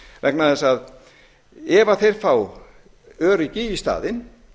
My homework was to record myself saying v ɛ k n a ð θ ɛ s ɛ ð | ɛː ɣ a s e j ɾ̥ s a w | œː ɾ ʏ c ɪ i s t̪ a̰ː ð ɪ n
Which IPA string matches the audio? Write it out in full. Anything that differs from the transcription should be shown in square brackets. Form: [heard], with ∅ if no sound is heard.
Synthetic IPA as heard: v ɛ k n a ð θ ɛ s [a] ð | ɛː [v] a [θ] e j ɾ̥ [f] a w | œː ɾ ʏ c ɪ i s t̪ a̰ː ð ɪ n